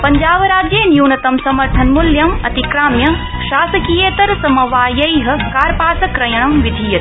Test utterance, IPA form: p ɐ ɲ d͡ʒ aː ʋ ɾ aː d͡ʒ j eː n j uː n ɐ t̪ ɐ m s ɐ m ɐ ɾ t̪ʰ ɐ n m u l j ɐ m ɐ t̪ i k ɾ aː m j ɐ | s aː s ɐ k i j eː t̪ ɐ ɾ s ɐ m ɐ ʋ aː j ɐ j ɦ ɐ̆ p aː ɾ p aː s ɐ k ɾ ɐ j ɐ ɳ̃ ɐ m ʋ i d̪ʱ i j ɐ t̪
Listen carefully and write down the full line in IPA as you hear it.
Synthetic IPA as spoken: p ɐ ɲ d͡ʒ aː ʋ ɾ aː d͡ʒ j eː n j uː n ɐ t̪ ɐ m s ɐ m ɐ ɾ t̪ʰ ɐ n m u l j ɐ m ɐ t̪ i k ɾ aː m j ɐ | ʃ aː s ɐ k i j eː t̪ ɐ ɾ s ɐ m ɐ ʋ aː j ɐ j ɦ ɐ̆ k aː ɾ p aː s ɐ k ɾ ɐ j ɐ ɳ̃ ɐ m ʋ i d̪ʱ i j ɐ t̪